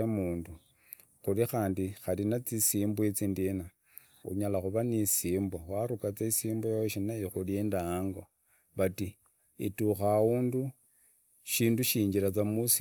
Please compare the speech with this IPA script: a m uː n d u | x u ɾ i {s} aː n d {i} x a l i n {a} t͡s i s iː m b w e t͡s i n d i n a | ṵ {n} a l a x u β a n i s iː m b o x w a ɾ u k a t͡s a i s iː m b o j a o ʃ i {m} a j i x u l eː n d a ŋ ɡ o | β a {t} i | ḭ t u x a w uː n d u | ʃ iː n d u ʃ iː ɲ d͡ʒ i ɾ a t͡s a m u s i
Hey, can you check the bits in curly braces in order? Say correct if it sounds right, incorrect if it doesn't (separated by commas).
incorrect, correct, correct, incorrect, incorrect, correct